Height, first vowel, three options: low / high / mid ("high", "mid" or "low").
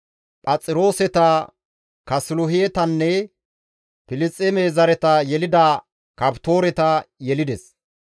low